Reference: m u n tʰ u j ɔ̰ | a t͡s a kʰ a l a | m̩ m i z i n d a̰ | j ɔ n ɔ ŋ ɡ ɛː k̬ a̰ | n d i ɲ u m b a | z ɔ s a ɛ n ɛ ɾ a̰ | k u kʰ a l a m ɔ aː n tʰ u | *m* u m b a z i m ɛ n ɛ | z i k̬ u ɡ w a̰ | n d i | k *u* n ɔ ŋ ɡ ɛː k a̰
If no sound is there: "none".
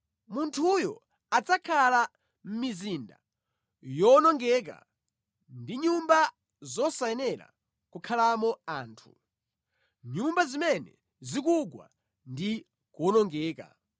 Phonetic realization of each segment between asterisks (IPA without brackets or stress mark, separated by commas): ɲ, ɔ